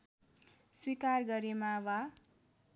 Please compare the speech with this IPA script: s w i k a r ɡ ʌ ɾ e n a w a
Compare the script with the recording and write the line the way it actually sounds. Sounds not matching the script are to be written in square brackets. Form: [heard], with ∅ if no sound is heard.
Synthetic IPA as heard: s w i k a r ɡ ʌ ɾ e [m] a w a